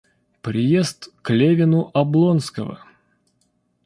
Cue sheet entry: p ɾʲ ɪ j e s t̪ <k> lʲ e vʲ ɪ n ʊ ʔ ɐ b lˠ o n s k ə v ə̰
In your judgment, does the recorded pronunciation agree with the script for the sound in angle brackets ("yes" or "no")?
yes